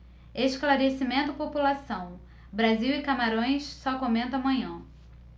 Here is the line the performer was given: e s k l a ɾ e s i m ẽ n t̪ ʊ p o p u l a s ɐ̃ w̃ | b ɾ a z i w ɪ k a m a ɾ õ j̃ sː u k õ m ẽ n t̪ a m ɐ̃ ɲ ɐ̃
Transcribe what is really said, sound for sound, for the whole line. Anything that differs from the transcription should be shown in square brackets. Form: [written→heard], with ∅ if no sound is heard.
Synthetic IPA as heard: e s k l a ɾ e s i m ẽ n t̪ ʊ p o p u l a s ɐ̃ w̃ | b ɾ a z i w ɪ k a m a ɾ õ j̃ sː [u→ɔ] k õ m ẽ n t̪ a m ɐ̃ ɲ ɐ̃